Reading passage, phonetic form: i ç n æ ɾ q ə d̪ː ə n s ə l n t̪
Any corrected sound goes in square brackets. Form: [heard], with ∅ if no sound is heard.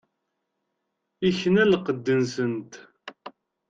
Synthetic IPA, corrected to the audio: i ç n æ [l] q ə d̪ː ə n s ə [∅] n t̪